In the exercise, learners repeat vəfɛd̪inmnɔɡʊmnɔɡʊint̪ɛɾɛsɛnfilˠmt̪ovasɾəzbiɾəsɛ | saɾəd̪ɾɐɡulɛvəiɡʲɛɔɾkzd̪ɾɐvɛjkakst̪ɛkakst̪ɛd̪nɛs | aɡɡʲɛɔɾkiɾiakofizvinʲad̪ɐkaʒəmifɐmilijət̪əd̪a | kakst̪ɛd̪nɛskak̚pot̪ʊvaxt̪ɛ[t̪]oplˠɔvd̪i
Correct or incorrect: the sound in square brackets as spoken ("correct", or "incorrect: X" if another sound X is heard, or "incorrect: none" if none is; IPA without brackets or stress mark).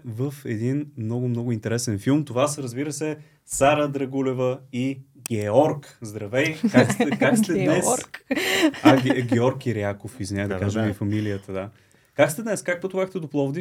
incorrect: d̪